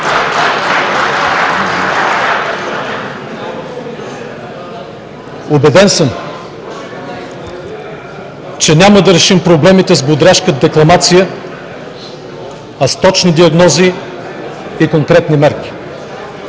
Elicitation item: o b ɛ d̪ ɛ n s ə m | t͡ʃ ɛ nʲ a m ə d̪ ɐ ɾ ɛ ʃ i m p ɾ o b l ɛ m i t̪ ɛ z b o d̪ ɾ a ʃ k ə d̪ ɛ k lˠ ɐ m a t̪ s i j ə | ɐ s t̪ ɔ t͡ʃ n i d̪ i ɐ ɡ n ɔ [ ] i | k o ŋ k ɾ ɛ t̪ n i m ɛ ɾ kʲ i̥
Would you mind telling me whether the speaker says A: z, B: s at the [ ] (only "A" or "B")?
A